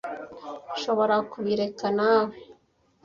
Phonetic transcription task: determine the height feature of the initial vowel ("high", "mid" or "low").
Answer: mid